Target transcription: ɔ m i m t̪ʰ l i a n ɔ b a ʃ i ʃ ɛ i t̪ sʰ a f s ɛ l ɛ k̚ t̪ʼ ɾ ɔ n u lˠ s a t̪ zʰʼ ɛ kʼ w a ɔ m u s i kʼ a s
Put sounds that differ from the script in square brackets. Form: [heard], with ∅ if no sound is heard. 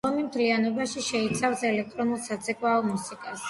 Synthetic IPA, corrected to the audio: ɔ m i m t̪ʰ l i a n ɔ b a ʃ i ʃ ɛ i t̪ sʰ a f s ɛ l ɛ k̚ t̪ʼ ɾ ɔ n u lˠ s a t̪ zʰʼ ɛ kʼ w a ɔ m u s i kʼ a s